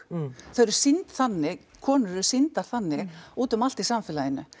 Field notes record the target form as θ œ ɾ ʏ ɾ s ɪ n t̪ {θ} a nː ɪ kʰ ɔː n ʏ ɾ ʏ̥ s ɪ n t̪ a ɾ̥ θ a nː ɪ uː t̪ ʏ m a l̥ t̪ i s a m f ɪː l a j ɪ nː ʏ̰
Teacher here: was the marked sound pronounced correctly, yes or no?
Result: yes